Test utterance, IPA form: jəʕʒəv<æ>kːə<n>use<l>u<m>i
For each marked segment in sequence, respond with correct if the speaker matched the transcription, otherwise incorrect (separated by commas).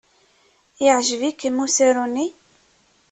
incorrect, incorrect, incorrect, incorrect